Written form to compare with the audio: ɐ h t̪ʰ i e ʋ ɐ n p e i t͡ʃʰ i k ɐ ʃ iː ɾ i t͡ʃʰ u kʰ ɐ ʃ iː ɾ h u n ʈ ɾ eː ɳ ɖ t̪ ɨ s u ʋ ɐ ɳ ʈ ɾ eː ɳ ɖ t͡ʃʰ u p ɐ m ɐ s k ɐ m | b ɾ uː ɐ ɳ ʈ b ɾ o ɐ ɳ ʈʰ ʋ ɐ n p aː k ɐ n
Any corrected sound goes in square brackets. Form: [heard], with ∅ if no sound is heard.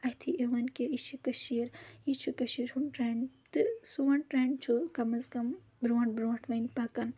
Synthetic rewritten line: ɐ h t̪ʰ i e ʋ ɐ n [k] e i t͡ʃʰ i k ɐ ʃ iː ɾ i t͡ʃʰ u [k] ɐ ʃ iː ɾ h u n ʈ ɾ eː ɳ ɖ t̪ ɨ s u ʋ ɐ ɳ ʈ ɾ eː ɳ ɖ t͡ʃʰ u [k] ɐ m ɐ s k ɐ m | b ɾ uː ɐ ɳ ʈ b ɾ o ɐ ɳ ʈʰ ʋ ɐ n p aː k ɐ n